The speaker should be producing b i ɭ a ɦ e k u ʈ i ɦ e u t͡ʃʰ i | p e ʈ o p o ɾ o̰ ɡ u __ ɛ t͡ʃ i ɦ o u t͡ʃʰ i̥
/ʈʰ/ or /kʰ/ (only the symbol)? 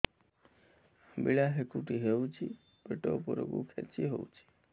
kʰ